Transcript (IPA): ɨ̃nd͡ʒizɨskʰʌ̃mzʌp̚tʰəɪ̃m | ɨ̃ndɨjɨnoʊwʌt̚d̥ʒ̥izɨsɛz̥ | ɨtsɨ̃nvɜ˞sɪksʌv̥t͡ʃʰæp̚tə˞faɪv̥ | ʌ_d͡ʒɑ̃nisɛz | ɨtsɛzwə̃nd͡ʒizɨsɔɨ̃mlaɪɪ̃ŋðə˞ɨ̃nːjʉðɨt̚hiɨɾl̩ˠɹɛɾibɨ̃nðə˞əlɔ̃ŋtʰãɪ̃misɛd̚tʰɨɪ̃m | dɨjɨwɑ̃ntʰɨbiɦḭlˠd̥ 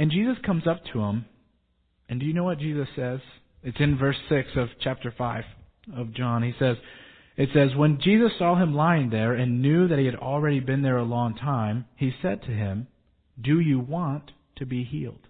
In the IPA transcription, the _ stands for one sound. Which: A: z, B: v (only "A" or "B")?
B